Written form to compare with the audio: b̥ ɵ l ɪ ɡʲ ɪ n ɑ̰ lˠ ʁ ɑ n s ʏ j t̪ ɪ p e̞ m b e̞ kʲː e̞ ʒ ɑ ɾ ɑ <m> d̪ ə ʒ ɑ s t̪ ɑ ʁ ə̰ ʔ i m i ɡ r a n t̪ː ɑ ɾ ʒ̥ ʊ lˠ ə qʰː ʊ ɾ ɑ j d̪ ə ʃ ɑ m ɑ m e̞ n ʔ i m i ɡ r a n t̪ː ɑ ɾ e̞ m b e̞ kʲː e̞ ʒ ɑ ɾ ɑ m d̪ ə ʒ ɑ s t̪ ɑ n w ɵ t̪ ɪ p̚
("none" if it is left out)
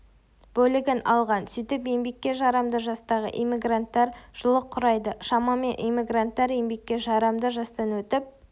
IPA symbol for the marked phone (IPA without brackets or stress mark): m